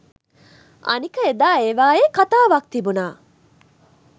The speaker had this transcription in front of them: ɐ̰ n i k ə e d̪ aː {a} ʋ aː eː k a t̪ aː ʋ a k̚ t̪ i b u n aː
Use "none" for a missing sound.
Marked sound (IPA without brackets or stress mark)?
e